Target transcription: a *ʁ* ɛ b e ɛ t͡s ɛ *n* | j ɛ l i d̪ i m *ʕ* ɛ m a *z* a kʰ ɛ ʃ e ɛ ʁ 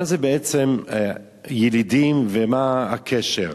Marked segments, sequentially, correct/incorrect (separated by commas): incorrect, incorrect, incorrect, incorrect